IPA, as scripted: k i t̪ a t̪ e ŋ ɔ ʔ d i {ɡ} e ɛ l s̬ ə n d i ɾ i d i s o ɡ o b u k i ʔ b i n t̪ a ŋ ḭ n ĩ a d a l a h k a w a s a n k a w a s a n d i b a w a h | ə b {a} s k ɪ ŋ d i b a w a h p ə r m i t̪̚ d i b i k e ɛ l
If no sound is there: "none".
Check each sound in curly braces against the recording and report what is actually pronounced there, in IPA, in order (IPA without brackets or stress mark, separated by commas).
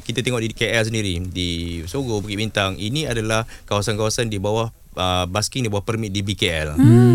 k, a